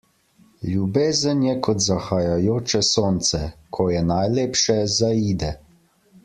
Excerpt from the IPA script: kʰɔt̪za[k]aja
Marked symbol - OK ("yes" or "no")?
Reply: no